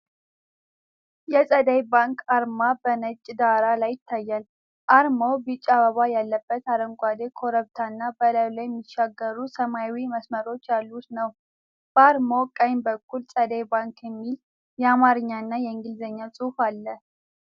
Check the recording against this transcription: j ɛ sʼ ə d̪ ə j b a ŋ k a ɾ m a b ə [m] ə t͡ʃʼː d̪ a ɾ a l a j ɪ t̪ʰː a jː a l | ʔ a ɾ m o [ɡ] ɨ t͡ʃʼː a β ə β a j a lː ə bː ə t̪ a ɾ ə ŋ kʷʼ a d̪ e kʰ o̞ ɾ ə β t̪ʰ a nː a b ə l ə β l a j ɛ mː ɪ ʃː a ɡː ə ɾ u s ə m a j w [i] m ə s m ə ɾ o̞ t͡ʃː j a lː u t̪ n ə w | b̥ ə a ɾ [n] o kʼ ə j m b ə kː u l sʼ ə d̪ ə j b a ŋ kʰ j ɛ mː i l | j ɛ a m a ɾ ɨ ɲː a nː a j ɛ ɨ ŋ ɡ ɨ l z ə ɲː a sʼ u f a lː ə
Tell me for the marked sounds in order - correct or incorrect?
incorrect: n, incorrect: b, correct, incorrect: m

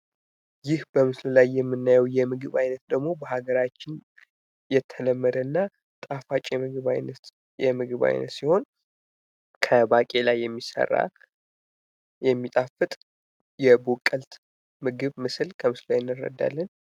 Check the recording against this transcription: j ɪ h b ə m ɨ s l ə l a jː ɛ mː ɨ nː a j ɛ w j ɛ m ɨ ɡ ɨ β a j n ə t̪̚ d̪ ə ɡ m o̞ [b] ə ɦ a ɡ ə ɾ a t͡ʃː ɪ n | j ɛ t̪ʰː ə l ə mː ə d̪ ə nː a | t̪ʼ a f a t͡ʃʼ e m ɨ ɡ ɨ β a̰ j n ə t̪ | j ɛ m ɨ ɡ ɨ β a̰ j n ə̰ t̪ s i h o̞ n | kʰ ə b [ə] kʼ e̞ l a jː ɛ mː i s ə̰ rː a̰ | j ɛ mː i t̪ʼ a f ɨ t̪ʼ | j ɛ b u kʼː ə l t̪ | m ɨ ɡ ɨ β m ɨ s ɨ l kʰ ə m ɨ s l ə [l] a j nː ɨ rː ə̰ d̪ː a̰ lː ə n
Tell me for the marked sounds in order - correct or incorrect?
correct, incorrect: a, correct

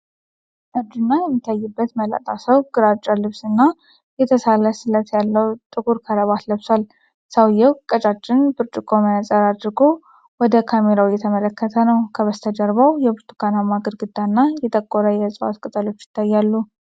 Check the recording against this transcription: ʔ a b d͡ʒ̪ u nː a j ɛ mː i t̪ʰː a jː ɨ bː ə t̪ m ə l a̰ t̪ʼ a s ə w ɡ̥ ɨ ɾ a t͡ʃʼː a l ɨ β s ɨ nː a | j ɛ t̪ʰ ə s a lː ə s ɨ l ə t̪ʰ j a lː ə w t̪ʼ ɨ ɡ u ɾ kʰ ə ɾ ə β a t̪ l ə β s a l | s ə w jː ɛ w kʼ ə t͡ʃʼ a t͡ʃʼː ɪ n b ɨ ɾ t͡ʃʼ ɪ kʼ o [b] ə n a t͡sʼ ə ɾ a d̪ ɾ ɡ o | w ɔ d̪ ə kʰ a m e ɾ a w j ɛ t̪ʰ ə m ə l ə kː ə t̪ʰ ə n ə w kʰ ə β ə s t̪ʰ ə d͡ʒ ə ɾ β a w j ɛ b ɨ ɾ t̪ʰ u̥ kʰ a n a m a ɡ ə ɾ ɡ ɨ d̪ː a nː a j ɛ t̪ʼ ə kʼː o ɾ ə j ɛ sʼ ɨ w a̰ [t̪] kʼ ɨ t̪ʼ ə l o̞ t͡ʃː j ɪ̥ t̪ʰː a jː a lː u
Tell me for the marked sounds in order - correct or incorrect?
incorrect: m, correct

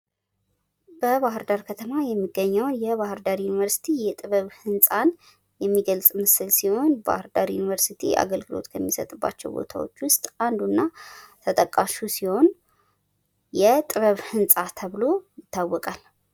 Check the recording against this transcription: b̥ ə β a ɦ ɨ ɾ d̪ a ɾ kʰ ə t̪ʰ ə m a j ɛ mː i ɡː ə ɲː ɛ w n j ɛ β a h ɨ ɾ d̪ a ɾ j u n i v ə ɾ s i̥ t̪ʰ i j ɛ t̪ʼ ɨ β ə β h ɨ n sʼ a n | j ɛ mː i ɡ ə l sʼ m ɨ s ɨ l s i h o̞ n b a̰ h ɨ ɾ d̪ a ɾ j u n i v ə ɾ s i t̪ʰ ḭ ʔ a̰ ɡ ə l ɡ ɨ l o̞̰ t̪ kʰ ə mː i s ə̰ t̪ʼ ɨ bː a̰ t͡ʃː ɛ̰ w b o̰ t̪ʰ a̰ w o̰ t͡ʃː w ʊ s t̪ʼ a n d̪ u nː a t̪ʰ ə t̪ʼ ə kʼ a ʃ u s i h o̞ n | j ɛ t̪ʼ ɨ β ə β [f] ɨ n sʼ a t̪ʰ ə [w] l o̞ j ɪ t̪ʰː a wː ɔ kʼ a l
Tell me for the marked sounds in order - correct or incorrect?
incorrect: h, incorrect: β

